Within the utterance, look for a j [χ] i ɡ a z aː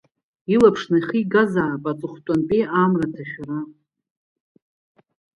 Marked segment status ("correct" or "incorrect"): correct